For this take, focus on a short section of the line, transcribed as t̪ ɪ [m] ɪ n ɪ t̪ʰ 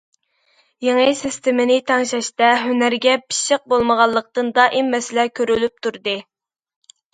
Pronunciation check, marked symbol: correct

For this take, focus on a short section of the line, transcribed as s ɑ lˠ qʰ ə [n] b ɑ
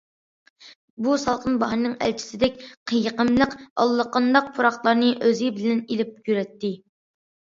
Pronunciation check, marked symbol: correct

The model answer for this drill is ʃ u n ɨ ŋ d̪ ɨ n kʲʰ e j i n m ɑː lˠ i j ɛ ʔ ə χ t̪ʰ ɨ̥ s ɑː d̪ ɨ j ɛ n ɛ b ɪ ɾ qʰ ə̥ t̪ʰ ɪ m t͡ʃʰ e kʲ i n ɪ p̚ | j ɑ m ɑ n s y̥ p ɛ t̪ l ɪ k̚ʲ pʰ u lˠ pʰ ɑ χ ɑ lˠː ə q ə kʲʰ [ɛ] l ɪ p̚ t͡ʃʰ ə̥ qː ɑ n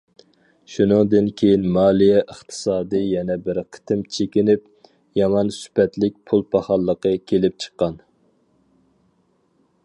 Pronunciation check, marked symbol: incorrect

